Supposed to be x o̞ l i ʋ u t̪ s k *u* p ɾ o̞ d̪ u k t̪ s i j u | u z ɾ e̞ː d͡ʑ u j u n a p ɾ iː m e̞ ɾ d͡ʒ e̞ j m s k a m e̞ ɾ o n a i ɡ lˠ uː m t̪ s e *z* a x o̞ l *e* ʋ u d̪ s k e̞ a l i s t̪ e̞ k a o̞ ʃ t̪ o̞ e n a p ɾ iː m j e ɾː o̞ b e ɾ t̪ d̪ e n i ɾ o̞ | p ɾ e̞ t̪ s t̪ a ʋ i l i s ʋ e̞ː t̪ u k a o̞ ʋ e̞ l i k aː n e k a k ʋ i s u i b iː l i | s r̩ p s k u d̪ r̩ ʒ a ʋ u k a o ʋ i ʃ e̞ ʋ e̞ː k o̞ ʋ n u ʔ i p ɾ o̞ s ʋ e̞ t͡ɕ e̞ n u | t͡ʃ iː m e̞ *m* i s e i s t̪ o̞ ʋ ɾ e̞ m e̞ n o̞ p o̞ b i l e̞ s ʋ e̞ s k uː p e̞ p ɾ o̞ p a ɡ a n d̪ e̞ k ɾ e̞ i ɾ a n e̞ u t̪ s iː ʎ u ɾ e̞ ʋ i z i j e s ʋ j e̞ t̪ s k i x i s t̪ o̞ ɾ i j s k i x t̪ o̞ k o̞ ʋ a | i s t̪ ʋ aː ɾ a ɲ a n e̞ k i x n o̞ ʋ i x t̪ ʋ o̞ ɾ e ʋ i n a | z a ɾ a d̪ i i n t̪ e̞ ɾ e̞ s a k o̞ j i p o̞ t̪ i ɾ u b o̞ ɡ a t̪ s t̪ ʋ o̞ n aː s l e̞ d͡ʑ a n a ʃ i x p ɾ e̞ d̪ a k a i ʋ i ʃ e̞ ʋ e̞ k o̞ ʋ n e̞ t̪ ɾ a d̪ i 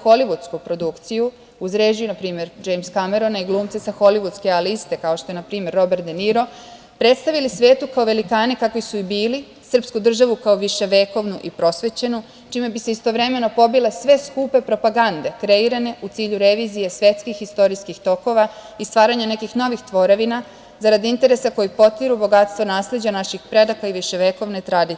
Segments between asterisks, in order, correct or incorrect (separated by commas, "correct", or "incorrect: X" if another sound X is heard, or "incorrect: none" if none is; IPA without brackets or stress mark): correct, incorrect: s, incorrect: i, incorrect: b